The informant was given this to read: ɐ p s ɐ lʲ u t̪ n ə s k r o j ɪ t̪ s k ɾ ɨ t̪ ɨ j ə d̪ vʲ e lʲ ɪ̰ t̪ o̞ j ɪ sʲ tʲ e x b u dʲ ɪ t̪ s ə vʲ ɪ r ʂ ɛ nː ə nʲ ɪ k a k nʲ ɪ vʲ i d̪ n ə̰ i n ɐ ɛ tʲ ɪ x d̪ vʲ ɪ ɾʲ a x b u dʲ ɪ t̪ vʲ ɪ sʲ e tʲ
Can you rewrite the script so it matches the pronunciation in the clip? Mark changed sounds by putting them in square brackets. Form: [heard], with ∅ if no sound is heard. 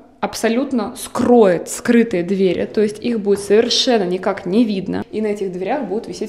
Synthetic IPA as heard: ɐ p s ɐ lʲ u t̪ n ə s k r o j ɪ t̪ s k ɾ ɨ t̪ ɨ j ə d̪ vʲ e [ɾʲ] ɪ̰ t̪ o̞ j ɪ sʲ tʲ [i] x b u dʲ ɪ t̪ s ə vʲ ɪ r ʂ ɛ nː ə nʲ ɪ k a k nʲ ɪ vʲ i d̪ n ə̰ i n ɐ ɛ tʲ ɪ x d̪ vʲ ɪ ɾʲ a x b u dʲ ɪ t̪ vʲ ɪ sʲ e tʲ

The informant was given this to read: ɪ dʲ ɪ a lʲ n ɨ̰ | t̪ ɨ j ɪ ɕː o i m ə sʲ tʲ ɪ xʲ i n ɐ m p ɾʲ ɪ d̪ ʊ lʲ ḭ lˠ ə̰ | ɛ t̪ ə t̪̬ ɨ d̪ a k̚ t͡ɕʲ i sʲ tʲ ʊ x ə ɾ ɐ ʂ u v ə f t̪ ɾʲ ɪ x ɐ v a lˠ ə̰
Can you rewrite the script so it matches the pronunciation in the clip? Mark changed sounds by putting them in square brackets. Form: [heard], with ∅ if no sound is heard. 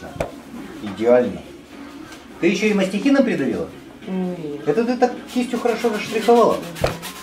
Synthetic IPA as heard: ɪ dʲ ɪ a lʲ n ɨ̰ | t̪ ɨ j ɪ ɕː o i m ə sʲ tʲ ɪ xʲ i n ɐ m p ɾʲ ɪ d̪ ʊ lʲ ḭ lˠ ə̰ | ɛ t̪ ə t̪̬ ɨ [t̪] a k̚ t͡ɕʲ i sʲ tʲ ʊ x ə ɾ ɐ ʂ [o] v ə [ʂ] t̪ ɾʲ ɪ x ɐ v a lˠ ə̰

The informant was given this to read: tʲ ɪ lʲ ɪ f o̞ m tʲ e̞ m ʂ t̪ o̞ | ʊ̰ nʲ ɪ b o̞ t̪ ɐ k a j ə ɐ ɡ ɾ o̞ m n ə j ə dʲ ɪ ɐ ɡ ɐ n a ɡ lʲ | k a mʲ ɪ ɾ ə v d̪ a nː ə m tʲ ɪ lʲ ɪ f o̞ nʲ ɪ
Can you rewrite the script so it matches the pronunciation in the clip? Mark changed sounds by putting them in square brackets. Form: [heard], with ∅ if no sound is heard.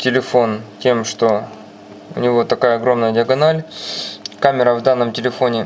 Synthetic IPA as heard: tʲ ɪ lʲ ɪ f o̞ [n] tʲ e̞ m ʂ t̪ o̞ | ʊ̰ nʲ ɪ [v] o̞ t̪ ɐ k a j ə ɐ ɡ ɾ o̞ m n ə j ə dʲ ɪ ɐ ɡ ɐ n a [∅] lʲ | k a mʲ ɪ ɾ ə v d̪ a nː ə m tʲ ɪ lʲ ɪ f o̞ nʲ ɪ

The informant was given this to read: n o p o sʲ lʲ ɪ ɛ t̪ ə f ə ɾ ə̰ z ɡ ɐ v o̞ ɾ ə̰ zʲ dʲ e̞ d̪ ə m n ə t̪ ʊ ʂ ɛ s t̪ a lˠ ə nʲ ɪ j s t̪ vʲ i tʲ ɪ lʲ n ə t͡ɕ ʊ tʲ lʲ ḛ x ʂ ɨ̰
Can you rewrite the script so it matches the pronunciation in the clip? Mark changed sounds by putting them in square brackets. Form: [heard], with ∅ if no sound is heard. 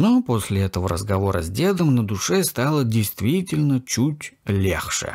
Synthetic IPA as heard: n o p o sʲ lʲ ɪ ɛ t̪ ə [v] ə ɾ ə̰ z ɡ ɐ v o̞ ɾ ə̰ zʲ dʲ e̞ d̪ ə m n ə [d̪] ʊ ʂ ɛ s t̪ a lˠ ə [dʲ] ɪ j s t̪ vʲ i tʲ ɪ lʲ n ə t͡ɕ [u] tʲ lʲ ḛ x ʂ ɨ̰

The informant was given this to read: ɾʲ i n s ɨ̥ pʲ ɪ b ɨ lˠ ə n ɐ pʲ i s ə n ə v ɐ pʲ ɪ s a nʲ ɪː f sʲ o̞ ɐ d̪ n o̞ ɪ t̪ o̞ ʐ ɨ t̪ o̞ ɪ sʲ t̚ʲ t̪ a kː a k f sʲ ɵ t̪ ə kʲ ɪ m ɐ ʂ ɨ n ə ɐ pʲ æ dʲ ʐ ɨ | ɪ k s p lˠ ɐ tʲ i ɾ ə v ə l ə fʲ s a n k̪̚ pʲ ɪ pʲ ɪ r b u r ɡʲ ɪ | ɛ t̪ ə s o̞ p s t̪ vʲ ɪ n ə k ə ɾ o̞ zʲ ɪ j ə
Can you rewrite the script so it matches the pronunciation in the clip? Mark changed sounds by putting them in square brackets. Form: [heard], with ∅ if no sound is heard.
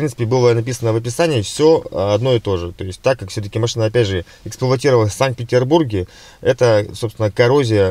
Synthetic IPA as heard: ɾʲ i n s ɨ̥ pʲ ɪ b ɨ lˠ ə n ɐ pʲ i s ə n ə v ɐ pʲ ɪ s a nʲ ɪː f sʲ o̞ ɐ d̪ n o̞ ɪ t̪ o̞ ʐ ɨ t̪ o̞ ɪ sʲ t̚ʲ t̪ a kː a k f sʲ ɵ t̪ ə kʲ ɪ m ɐ ʂ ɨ n ə ɐ pʲ æ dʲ ʐ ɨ | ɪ k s p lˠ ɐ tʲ i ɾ ə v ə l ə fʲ s a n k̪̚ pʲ ɪ [tʲ] ɪ r b u r ɡʲ ɪ | ɛ t̪ ə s o̞ p s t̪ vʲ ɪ n ə k [ɐ] ɾ o̞ zʲ ɪ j ə

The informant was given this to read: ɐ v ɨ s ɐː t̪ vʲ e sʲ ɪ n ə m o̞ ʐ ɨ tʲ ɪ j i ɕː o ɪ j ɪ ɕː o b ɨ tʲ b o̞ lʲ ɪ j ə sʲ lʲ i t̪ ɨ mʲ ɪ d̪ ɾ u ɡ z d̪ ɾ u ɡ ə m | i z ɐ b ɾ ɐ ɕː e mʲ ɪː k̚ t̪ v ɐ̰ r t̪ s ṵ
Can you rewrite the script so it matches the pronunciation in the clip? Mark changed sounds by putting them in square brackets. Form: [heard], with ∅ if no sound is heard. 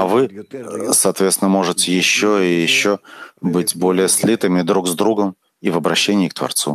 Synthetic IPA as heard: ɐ v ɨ s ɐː t̪ vʲ e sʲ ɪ n ə m o̞ ʐ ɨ tʲ ɪ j [ɪ] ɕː o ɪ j ɪ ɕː o b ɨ tʲ b o̞ lʲ ɪ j ə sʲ lʲ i t̪ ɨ mʲ ɪ d̪ ɾ u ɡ z d̪ ɾ u ɡ ə m | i [v] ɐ b ɾ ɐ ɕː e [nʲ] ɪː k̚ t̪ v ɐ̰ r t̪ s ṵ

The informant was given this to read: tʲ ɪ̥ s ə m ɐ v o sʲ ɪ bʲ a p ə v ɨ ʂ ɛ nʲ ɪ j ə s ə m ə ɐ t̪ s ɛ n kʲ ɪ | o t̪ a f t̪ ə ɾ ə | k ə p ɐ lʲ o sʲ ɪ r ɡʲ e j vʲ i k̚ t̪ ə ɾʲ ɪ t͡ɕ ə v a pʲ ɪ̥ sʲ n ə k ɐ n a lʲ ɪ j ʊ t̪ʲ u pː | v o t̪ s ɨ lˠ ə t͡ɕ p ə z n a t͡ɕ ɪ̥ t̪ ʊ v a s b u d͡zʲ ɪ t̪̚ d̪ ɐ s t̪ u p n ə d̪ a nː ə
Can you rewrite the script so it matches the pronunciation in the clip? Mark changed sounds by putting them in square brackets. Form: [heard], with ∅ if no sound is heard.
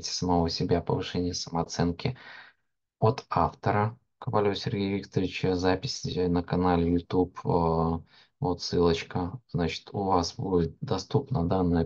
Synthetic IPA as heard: tʲ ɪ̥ s ə m ɐ v o sʲ ɪ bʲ a p ə v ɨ ʂ ɛ nʲ ɪ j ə s ə m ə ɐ t̪ s ɛ n kʲ ɪ | o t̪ a f t̪ ə ɾ ə | k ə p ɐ lʲ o sʲ ɪ r ɡʲ e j vʲ i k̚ t̪ ə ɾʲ ɪ t͡ɕ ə [z] a pʲ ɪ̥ sʲ n ə k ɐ n a lʲ ɪ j ʊ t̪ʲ u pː | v o t̪ s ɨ lˠ ə t͡ɕ [k] ə z n a t͡ɕ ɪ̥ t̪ ʊ v a s b u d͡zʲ ɪ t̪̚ d̪ ɐ s t̪ u p n ə d̪ a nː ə

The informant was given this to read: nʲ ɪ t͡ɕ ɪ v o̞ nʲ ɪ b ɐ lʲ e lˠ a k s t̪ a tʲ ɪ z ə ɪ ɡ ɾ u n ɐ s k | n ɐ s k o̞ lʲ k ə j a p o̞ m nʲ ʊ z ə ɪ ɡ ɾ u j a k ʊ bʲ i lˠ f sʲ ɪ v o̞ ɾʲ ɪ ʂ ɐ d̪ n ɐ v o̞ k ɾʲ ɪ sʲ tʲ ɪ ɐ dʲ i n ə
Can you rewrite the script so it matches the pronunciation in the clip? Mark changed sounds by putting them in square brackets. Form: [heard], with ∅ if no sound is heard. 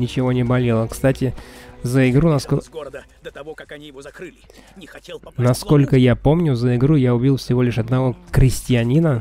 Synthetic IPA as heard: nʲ ɪ t͡ɕ ɪ v o̞ nʲ ɪ b ɐ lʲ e lˠ [ə] k s t̪ a tʲ ɪ z ə ɪ ɡ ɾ u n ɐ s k | n ɐ s k o̞ lʲ k ə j a p o̞ m nʲ ʊ z ə ɪ ɡ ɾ u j a [∅] ʊ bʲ i lˠ f sʲ ɪ v o̞ [lʲ] ɪ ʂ ɐ d̪ n ɐ v o̞ k ɾʲ ɪ sʲ tʲ ɪ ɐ [nʲ] i n ə

